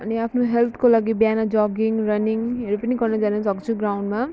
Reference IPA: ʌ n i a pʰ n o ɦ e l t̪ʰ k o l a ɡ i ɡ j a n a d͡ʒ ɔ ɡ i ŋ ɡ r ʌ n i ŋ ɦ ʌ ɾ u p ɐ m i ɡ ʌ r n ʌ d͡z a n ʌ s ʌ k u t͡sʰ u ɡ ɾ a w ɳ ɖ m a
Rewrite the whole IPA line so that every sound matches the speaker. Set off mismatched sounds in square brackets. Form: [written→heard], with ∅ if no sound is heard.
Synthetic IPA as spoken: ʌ n i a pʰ n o ɦ e l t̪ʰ k o l a ɡ i [ɡ→b] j a n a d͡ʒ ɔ ɡ i ŋ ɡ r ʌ n i ŋ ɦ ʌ ɾ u p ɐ [m→n] i ɡ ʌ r n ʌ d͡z a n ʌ s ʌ k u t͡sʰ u ɡ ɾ a w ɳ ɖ m a